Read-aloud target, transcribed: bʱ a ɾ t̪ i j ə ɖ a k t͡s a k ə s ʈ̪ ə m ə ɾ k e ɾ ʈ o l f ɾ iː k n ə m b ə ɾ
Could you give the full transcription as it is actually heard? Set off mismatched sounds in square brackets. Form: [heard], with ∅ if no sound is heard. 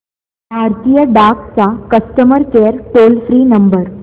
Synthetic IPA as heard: bʱ a ɾ t̪ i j ə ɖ a k t͡s a k ə s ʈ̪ ə m ə ɾ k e ɾ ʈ o l f ɾ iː [∅] n ə m b ə ɾ